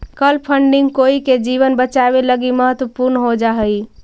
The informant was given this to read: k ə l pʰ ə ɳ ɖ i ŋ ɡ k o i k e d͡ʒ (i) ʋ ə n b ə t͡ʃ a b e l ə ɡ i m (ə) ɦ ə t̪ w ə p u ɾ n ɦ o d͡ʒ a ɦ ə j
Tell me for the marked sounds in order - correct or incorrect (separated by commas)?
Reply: correct, correct